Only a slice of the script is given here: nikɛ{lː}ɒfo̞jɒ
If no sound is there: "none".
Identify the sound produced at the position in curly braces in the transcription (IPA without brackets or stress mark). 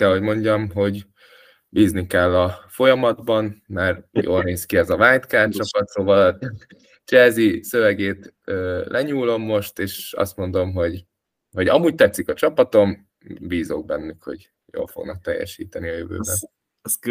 lː